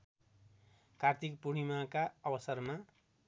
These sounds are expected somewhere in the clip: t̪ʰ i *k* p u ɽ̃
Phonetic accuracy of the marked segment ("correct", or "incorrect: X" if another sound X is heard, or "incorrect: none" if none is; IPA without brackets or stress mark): correct